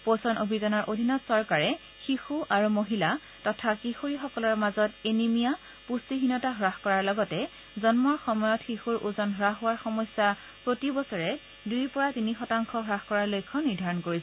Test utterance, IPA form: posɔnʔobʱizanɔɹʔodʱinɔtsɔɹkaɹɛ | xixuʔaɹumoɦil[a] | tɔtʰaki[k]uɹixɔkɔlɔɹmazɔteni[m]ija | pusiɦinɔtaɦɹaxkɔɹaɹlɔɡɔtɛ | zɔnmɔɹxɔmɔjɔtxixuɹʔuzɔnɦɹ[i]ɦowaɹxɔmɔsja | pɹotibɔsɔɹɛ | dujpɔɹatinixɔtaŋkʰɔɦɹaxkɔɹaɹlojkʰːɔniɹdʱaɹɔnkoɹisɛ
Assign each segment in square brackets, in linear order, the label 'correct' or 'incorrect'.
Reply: correct, incorrect, correct, incorrect

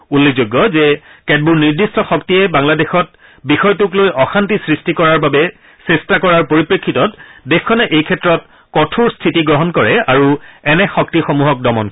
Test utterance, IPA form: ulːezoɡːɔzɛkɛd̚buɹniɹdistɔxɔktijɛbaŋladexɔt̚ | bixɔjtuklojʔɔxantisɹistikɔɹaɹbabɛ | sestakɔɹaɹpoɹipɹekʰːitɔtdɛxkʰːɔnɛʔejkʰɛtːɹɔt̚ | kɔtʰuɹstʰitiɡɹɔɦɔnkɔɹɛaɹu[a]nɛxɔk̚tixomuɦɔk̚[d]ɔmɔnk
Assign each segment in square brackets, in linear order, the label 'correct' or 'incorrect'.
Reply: incorrect, correct

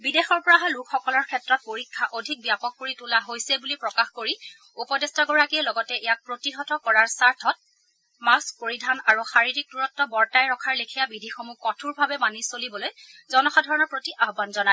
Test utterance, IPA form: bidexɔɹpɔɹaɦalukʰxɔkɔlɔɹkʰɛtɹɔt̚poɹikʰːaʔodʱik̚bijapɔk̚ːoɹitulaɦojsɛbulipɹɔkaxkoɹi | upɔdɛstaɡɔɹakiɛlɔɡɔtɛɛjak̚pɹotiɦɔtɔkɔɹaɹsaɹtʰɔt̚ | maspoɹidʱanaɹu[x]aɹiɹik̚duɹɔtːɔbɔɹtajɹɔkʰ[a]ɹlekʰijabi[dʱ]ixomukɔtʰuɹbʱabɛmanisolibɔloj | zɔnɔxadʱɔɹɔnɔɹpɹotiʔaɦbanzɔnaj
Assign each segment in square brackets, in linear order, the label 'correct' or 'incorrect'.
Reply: correct, correct, correct

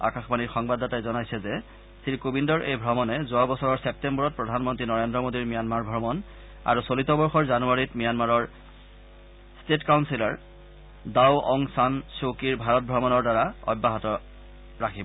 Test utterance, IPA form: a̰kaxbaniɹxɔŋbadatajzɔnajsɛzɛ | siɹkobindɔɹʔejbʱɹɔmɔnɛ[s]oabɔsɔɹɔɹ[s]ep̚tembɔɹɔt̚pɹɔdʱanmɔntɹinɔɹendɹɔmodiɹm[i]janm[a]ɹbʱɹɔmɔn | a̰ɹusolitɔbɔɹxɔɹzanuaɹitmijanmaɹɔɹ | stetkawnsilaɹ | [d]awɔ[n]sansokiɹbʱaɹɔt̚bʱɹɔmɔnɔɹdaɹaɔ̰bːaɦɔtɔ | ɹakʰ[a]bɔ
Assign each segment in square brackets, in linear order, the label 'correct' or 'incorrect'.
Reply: incorrect, correct, correct, correct, correct, incorrect, incorrect

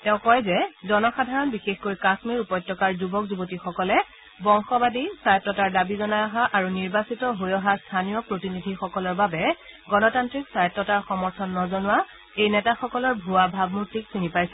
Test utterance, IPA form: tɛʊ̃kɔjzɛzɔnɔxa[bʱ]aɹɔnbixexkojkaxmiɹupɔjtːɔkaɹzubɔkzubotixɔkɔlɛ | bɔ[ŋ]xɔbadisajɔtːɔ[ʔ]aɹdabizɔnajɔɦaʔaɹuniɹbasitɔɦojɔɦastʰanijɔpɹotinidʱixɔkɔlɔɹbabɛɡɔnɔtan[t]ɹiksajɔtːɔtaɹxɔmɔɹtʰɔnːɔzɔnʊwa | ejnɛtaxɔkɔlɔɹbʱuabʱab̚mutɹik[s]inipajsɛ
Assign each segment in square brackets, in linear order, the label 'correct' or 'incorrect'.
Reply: incorrect, correct, incorrect, correct, correct

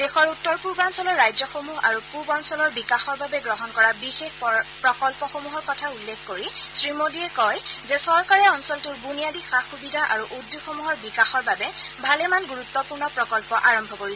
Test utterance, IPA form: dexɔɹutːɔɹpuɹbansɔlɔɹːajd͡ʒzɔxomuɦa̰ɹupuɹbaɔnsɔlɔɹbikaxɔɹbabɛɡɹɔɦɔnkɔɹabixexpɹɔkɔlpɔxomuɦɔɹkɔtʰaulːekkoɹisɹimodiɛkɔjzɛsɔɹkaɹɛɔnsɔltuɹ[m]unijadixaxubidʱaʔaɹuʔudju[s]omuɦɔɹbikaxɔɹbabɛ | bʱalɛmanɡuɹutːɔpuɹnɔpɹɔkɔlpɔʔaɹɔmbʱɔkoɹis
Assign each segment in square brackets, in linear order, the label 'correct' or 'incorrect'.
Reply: incorrect, incorrect

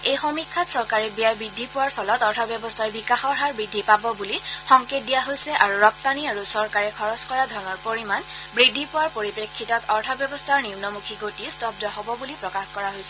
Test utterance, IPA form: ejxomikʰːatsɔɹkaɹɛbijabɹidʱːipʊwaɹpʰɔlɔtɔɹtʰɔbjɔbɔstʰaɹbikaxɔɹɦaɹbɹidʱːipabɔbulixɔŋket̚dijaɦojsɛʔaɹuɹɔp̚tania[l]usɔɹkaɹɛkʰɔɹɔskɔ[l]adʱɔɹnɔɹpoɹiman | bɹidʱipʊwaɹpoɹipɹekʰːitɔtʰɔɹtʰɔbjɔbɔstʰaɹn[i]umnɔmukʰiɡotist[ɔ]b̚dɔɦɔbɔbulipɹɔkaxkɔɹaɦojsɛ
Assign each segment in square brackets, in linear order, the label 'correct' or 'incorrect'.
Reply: incorrect, incorrect, correct, correct

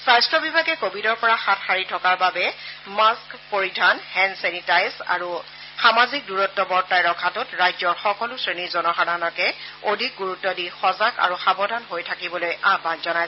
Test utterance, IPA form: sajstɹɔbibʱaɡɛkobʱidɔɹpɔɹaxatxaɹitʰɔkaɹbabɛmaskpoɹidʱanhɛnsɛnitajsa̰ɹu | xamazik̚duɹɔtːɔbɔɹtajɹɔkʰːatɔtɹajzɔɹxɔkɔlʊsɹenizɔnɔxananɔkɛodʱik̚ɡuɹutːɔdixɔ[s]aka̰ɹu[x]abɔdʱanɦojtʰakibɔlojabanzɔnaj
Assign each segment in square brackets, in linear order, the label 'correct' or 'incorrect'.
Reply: incorrect, correct

